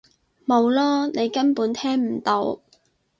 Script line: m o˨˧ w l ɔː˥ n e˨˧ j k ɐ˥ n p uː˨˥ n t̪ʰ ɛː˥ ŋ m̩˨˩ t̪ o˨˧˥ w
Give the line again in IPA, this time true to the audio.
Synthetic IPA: m o˨˧ w l ɔː˥ n e˨˧ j k ɐ˥ n p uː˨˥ n t̪ʰ ɛː˥ ŋ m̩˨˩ t̪ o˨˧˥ w